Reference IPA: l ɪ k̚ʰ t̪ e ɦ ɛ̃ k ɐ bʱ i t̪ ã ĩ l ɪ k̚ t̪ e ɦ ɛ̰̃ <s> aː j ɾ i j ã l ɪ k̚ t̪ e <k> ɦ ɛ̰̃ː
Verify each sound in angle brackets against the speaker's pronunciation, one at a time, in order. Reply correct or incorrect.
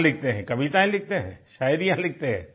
incorrect: ʃ, incorrect: none

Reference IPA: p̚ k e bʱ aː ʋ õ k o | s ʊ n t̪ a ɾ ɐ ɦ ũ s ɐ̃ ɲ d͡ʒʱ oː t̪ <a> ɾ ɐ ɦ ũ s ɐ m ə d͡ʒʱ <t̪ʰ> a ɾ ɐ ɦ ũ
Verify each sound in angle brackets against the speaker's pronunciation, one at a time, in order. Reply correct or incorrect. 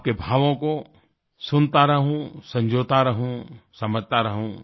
correct, incorrect: t̪

